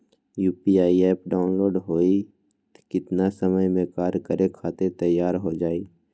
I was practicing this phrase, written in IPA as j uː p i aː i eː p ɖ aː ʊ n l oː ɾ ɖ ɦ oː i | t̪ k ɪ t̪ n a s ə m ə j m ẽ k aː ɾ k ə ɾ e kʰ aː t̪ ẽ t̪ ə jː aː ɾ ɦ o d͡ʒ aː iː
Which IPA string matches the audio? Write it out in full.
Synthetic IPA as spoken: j uː p i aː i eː p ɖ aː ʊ n l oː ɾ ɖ ɦ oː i | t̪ k ɪ t̪ n a s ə m ə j m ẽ k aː ɾ k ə ɾ e kʰ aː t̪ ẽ t̪ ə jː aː ɾ ɦ o d͡ʒ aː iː